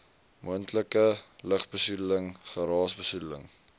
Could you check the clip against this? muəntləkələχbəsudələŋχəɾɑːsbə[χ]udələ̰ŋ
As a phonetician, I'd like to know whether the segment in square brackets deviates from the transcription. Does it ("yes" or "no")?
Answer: yes